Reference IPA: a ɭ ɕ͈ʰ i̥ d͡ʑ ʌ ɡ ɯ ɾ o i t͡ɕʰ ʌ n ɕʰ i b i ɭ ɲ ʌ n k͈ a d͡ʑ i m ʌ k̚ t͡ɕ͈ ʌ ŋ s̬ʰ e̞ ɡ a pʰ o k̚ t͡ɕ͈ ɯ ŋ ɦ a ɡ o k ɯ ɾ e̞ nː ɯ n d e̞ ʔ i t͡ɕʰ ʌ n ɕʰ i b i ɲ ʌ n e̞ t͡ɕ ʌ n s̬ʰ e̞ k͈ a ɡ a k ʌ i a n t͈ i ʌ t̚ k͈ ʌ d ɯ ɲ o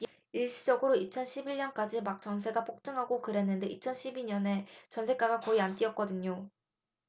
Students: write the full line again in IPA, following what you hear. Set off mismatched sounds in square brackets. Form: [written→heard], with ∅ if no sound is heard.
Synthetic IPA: [a→i] ɭ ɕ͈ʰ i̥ d͡ʑ ʌ ɡ ɯ ɾ o i t͡ɕʰ ʌ n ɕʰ i b i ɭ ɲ ʌ n k͈ a d͡ʑ i m [ʌ→a] k̚ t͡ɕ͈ ʌ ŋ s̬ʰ e̞ ɡ a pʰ o k̚ t͡ɕ͈ ɯ ŋ ɦ a ɡ o k ɯ ɾ e̞ nː ɯ n d e̞ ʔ i t͡ɕʰ ʌ n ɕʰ i b i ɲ ʌ n e̞ t͡ɕ ʌ n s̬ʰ e̞ k͈ a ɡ a k ʌ i a n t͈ i ʌ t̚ k͈ ʌ d ɯ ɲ o